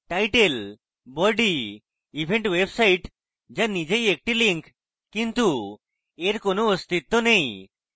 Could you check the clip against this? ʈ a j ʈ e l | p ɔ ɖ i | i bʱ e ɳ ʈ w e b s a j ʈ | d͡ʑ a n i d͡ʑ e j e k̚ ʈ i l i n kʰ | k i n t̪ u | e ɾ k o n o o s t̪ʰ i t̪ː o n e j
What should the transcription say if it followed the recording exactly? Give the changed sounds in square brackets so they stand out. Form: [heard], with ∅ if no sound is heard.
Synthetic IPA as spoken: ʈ a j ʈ e l | [b] ɔ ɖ i | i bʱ e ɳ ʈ w e b s a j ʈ | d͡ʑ a n i d͡ʑ e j e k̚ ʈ i l i [ŋ] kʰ | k i n t̪ u | e ɾ k o n o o s [t̪] i t̪ː o n e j